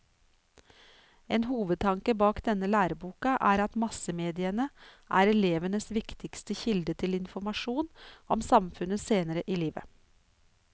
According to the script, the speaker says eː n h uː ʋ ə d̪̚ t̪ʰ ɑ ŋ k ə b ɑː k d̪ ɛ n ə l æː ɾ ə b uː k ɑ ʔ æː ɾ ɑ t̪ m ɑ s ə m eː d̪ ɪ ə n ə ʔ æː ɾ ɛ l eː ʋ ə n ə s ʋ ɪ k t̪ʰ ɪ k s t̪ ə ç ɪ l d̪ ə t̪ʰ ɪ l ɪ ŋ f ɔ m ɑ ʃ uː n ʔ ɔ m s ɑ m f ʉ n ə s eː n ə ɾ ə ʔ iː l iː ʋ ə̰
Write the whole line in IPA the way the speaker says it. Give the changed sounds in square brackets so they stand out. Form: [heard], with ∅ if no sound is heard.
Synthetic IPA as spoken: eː n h uː ʋ ə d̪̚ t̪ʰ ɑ ŋ k ə b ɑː k d̪ ɛ n ə l æː ɾ ə b uː k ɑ ʔ æː ɾ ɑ t̪ m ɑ s ə m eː d̪ ɪ ə n ə ʔ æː ɾ ɛ l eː ʋ ə n ə s ʋ ɪ k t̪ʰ ɪ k s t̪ ə ç ɪ l d̪ ə t̪ʰ ɪ l ɪ [n] f ɔ m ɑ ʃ uː n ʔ ɔ m s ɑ m f ʉ n ə s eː n ə ɾ ə ʔ iː l iː ʋ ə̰

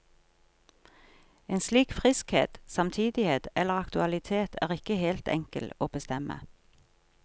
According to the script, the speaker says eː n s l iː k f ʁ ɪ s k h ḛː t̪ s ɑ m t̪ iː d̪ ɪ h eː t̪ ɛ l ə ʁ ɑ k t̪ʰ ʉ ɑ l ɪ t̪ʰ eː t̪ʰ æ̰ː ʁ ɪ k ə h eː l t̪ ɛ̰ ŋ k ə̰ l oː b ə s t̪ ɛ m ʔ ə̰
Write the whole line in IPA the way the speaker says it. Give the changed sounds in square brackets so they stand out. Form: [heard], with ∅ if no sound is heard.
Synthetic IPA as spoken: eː n s l iː k f ʁ ɪ s k h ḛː t̪ s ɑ m [t̪ʰ] iː d̪ ɪ h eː t̪ ɛ l ə ʁ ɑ k [t̪] ʉ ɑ l ɪ t̪ʰ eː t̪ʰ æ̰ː ʁ ɪ k ə h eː l t̪ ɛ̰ ŋ k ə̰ l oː b ə s t̪ ɛ m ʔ ə̰

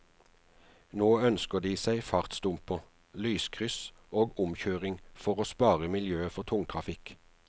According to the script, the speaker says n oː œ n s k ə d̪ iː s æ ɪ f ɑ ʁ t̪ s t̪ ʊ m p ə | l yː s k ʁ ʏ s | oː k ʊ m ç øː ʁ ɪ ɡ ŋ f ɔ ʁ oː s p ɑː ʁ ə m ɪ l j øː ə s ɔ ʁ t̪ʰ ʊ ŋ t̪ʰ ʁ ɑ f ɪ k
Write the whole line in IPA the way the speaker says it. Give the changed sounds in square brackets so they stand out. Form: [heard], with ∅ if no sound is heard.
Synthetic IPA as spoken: n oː œ n s k ə d̪ iː s æ ɪ f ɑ ʁ t̪ s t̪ ʊ m p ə | l yː s [kʰ] ʁ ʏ s | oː [ɡ] ʊ m ç øː ʁ ɪ [∅] ŋ f ɔ ʁ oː s p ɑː ʁ ə m ɪ l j øː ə [f] ɔ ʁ t̪ʰ ʊ ŋ t̪ʰ ʁ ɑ f ɪ k

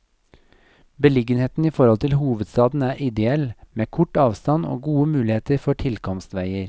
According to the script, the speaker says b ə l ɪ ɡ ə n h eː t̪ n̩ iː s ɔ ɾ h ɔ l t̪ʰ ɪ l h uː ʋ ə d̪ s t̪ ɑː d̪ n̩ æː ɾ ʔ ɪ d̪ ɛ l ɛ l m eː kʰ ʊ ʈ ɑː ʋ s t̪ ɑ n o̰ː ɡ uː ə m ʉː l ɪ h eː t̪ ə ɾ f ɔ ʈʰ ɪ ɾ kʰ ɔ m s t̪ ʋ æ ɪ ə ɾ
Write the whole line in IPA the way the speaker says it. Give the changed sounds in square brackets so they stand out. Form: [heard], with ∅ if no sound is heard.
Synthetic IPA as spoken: b ə l ɪ ɡ ə n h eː t̪ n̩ iː [f] ɔ ɾ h ɔ l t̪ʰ ɪ l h uː ʋ ə d̪ s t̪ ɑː d̪ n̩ æː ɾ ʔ ɪ d̪ ɛ [∅] ɛ l m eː kʰ ʊ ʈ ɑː ʋ s t̪ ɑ n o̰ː ɡ uː ə m ʉː l ɪ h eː t̪ ə ɾ f ɔ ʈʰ ɪ [l] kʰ ɔ m s t̪ ʋ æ ɪ ə ɾ

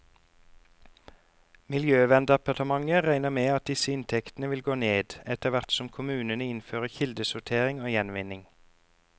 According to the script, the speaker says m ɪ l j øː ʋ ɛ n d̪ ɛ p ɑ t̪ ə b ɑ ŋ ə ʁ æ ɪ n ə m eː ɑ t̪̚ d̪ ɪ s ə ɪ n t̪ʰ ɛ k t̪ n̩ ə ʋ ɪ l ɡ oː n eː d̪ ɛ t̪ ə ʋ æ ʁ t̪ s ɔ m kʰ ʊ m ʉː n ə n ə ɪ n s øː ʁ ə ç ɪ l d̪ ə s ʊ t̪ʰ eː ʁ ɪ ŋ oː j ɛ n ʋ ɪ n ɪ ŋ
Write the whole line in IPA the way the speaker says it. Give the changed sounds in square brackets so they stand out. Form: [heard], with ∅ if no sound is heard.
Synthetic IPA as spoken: m ɪ l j øː ʋ ɛ n d̪ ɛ p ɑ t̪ ə [m] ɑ ŋ ə ʁ æ ɪ n ə m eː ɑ t̪̚ d̪ ɪ s ə ɪ n t̪ʰ ɛ k t̪ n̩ ə ʋ ɪ l ɡ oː n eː d̪ ɛ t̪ ə ʋ æ ʁ t̪ s ɔ m kʰ ʊ m ʉː n ə n ə ɪ n [f] øː ʁ ə ç ɪ l d̪ ə s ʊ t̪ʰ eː ʁ ɪ ŋ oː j ɛ n ʋ ɪ n ɪ ŋ

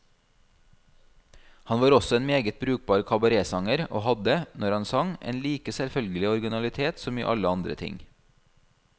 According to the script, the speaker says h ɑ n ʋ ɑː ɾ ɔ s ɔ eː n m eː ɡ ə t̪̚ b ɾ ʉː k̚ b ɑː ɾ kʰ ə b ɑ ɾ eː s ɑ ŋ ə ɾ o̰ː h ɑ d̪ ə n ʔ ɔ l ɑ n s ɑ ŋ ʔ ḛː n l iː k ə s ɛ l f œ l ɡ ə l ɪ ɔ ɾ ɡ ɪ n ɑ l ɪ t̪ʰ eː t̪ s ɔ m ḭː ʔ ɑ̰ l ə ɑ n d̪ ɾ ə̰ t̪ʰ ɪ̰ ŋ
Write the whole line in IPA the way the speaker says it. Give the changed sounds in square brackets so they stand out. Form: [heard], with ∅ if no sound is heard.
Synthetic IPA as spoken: h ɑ n ʋ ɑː ɾ ɔ s ɔ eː n m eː ɡ ə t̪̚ b ɾ ʉː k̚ b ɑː ɾ kʰ [ɑ] b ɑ ɾ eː s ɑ ŋ ə ɾ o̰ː h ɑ d̪ ə n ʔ ɔ [ɾ] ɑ n s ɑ ŋ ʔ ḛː n l iː k ə s ɛ l f œ l ɡ ə l ɪ ɔ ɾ ɡ ɪ n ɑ l ɪ t̪ʰ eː t̪ s ɔ m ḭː ʔ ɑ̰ l ə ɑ n d̪ ɾ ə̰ t̪ʰ ɪ̰ ŋ

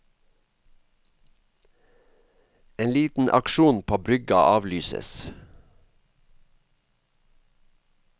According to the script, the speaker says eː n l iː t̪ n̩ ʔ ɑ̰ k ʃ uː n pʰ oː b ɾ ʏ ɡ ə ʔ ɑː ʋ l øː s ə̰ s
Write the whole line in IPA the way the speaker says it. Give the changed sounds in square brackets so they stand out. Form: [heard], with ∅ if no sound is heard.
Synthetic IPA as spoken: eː n l iː t̪ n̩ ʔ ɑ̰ k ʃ uː n pʰ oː b ɾ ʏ ɡ [ɑ] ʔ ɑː ʋ l [yː] s ə̰ s

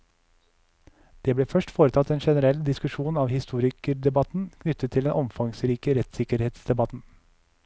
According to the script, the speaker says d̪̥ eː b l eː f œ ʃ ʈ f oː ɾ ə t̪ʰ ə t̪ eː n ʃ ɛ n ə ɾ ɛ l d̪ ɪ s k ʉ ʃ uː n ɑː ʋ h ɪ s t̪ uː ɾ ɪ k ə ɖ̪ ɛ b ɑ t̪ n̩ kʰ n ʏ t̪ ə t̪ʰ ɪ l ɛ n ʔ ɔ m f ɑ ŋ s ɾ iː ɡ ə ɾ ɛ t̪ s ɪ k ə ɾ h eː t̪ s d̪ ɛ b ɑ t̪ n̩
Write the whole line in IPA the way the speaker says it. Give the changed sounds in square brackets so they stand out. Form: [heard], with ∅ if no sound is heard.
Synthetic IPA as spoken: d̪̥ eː b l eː f œ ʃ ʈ f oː ɾ ə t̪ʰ [ɑ] t̪ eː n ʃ ɛ n ə ɾ ɛ l d̪ ɪ s k ʉ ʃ uː n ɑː ʋ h ɪ s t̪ uː ɾ ɪ k ə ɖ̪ ɛ b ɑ t̪ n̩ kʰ n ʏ t̪ ə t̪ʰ ɪ l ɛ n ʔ ɔ m f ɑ ŋ s ɾ iː [k] ə ɾ ɛ t̪ s ɪ k ə ɾ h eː t̪ s d̪ ɛ b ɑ t̪ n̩

